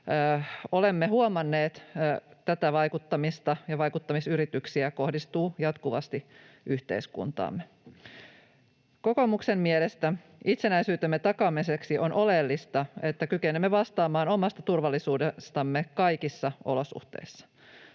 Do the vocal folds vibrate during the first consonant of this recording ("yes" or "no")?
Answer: yes